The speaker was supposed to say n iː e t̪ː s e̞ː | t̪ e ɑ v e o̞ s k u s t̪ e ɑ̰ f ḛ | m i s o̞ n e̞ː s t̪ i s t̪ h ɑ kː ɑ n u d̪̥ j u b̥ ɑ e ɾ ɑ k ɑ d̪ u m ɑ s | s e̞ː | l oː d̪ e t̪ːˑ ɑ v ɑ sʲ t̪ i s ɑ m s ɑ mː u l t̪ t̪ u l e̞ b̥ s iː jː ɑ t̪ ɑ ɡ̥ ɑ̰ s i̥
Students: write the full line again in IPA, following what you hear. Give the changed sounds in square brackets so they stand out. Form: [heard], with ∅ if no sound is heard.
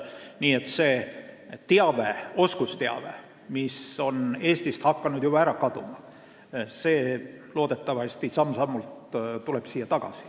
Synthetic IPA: n iː e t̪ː s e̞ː | t̪ e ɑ v e o̞ s k u s t̪ e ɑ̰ [v] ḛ | m i s o̞ n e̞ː s t̪ i s t̪ h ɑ kː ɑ n u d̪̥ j u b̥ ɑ [æ] ɾ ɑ k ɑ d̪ u m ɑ [∅] | s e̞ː | l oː d̪ e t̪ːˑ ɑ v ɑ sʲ t̪ i s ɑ m s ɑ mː u l t̪ t̪ u l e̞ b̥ s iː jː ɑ t̪ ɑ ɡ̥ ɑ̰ s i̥